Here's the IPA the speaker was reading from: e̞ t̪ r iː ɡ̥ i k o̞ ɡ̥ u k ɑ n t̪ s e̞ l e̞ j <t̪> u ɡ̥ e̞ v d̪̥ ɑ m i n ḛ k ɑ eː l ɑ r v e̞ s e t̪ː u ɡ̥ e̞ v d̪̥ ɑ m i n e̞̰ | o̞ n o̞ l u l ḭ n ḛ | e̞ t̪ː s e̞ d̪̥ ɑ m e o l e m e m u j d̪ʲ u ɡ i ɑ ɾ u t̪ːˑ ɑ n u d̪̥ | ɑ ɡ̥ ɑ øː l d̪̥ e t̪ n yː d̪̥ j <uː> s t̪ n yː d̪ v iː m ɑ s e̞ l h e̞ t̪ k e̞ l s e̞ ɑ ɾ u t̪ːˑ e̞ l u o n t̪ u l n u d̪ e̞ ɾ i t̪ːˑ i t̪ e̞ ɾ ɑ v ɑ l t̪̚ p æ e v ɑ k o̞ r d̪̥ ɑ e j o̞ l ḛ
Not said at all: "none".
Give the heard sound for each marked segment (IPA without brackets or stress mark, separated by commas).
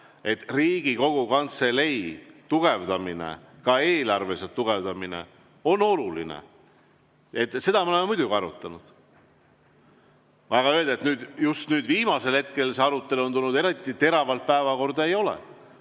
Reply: t̪, u